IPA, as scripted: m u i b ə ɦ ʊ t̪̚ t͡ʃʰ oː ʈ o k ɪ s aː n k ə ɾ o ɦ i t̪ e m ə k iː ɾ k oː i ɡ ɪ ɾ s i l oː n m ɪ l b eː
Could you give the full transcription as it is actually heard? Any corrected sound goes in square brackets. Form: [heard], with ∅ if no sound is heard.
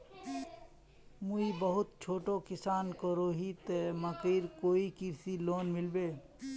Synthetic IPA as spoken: m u i b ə ɦ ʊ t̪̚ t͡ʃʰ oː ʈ o k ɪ s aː n k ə ɾ o ɦ i t̪ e m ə k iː ɾ k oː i [k] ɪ ɾ s i l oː n m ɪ l b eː